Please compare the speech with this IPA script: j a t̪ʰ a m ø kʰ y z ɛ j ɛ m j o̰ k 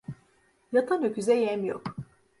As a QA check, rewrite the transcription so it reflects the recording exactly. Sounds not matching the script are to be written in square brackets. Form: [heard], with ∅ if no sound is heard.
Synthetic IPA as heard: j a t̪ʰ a [n] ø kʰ y z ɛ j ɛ m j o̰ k